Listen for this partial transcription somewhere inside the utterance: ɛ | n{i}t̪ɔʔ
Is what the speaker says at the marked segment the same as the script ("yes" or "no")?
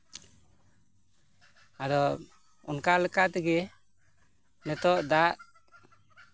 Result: no